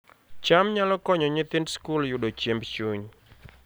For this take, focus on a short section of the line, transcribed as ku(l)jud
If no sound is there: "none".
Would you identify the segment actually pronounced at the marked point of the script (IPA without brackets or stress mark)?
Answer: l